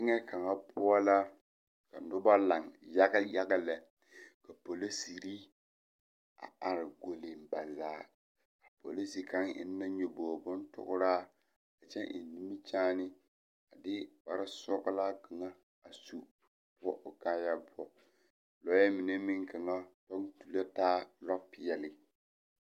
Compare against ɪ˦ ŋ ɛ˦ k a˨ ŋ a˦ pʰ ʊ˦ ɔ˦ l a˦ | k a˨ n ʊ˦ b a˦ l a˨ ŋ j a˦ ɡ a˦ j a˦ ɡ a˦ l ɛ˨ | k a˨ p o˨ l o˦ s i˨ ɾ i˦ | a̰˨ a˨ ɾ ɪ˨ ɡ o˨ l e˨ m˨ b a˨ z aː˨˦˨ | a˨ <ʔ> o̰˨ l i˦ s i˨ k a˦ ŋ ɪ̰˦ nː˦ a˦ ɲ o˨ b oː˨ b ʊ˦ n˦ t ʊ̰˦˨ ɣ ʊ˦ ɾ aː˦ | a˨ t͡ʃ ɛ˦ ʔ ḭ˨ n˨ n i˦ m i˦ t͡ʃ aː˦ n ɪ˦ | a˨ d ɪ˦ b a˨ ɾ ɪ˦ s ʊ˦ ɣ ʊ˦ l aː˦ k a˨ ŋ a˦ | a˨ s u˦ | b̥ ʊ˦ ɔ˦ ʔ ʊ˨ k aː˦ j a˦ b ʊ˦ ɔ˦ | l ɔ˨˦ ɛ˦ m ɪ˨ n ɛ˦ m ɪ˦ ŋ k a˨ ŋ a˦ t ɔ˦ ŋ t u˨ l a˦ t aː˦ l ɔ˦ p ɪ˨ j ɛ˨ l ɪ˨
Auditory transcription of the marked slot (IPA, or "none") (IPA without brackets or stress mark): p